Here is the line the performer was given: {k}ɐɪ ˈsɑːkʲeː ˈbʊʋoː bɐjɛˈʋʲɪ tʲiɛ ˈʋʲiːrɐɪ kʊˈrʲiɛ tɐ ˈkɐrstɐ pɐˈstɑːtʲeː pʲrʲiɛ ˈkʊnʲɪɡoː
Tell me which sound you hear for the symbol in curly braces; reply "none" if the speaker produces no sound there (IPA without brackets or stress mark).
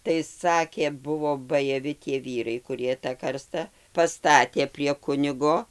t